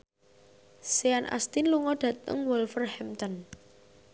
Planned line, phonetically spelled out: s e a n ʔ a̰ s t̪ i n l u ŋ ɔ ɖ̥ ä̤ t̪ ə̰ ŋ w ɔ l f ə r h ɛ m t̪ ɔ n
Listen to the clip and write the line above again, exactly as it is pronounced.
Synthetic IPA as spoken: s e a n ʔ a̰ s t̪ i n l u ŋ ɔ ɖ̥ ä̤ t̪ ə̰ ŋ w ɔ l f ə r h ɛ m t̪ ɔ n